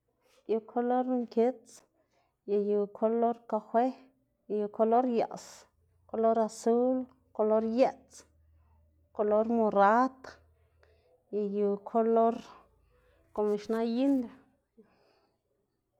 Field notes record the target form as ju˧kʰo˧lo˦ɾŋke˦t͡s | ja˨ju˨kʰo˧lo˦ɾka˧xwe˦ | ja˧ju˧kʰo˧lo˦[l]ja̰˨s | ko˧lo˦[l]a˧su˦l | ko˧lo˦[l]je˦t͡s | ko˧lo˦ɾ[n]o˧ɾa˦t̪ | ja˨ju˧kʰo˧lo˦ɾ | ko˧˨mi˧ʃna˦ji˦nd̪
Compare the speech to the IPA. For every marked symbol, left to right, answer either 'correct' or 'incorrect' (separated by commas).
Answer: incorrect, incorrect, incorrect, incorrect